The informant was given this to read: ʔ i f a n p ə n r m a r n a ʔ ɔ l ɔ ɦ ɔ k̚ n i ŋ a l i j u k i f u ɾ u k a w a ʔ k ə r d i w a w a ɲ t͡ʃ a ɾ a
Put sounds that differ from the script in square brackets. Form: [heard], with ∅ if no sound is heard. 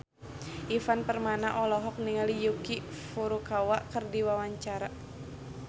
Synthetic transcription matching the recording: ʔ i f a n p ə [∅] r m a [∅] n a ʔ ɔ l ɔ ɦ ɔ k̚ n i ŋ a l i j u k i f u ɾ u k a w a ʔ k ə r d i w a w a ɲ t͡ʃ a ɾ a